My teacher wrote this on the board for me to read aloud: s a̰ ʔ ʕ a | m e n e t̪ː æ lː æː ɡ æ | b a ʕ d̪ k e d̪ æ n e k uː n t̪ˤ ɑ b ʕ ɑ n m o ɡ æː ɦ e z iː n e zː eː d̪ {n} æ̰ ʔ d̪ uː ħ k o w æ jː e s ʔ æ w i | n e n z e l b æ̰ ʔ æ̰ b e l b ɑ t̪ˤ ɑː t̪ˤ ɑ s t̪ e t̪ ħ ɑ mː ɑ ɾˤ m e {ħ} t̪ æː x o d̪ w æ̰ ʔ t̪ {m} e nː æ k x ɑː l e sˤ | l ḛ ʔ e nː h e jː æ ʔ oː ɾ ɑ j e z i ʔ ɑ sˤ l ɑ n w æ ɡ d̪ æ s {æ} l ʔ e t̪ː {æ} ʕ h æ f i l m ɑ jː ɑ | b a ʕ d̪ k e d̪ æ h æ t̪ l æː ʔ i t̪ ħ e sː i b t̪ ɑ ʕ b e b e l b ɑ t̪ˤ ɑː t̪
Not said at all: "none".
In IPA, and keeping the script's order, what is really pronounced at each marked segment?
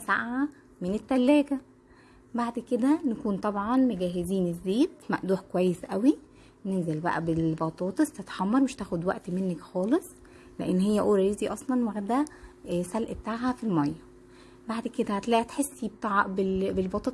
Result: m, ʃ, m, æ, a

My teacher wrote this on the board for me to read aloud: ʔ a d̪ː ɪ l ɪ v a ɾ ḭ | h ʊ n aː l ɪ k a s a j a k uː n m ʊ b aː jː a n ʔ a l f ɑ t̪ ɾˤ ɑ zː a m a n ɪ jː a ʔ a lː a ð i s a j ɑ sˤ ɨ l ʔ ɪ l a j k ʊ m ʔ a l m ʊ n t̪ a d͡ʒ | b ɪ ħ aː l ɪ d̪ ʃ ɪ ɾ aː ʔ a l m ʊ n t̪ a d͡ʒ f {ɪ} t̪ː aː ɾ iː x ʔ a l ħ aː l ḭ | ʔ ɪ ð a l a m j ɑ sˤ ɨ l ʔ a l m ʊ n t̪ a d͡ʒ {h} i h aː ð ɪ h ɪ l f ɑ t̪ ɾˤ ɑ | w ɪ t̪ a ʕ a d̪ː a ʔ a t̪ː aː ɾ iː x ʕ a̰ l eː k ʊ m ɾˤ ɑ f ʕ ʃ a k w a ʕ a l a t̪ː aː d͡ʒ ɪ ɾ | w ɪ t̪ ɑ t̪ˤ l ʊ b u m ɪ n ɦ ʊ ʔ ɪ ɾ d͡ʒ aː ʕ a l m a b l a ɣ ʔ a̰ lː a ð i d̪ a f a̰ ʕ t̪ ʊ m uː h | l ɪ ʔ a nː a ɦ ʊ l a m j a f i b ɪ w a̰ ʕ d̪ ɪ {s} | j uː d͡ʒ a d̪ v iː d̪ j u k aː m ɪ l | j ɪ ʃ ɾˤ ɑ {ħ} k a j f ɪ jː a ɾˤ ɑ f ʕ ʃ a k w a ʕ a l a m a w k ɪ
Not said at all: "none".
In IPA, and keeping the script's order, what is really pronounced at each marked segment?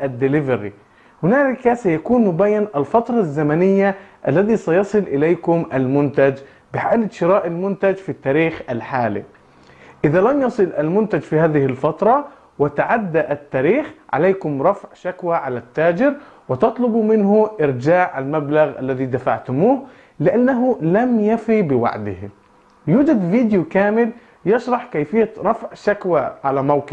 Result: i, f, h, ħ

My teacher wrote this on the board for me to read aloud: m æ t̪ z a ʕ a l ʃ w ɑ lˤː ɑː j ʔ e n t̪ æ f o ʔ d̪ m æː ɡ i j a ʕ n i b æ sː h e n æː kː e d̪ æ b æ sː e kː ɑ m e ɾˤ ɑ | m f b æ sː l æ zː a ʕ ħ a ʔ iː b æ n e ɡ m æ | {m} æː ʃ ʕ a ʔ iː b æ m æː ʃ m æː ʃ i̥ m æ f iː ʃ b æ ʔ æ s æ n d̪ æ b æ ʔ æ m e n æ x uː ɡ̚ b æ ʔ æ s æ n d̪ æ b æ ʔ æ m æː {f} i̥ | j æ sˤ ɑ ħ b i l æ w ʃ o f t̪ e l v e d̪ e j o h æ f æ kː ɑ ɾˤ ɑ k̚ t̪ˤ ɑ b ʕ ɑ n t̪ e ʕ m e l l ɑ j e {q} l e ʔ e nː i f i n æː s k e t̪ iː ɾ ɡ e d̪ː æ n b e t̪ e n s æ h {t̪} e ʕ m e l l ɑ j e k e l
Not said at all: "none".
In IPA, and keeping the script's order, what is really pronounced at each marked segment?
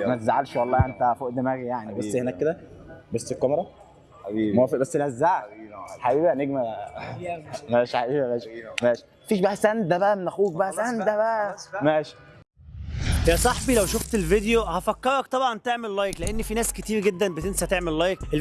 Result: m, ʃ, k, t̪

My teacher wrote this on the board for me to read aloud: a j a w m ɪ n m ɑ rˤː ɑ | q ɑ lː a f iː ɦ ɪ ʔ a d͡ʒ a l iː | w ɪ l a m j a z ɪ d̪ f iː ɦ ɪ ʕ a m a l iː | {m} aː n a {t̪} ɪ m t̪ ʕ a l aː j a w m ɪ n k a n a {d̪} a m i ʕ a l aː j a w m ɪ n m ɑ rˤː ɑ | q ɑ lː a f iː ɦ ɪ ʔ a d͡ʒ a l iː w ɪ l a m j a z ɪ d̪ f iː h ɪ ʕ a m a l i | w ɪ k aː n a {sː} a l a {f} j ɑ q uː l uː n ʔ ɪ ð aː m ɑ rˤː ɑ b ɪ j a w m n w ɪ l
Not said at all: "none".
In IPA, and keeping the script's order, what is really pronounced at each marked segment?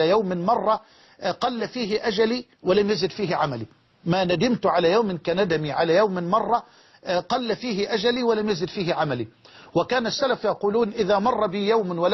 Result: m, d̪, d̪, sː, f

